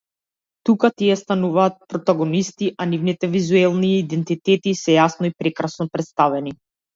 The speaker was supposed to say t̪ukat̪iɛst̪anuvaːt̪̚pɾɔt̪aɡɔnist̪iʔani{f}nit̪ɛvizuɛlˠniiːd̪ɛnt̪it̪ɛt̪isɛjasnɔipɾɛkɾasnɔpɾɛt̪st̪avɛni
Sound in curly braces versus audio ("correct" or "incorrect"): incorrect